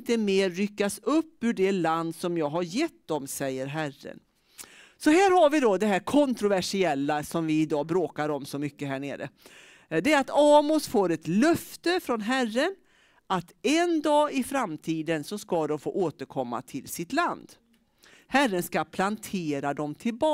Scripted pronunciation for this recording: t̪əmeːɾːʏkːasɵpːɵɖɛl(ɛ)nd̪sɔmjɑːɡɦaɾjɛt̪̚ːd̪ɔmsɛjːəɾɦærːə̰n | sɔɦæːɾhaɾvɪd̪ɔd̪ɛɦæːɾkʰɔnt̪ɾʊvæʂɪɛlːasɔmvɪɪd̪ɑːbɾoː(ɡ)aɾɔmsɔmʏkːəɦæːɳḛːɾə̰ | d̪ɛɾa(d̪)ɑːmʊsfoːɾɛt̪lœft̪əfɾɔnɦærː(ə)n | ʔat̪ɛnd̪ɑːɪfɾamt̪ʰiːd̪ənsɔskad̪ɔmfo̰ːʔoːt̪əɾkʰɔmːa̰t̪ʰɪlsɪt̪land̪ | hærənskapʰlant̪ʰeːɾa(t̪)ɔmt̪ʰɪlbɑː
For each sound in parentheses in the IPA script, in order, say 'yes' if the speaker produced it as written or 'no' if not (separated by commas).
no, no, no, yes, no